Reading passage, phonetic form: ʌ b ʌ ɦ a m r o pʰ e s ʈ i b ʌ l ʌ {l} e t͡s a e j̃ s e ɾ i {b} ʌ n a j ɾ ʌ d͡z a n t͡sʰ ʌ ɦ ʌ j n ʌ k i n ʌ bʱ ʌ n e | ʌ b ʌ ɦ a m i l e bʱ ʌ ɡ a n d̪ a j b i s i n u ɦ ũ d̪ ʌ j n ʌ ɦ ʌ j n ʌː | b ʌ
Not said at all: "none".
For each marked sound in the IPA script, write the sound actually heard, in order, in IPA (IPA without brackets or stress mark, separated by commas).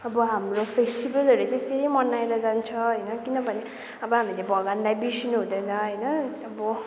ɾ, m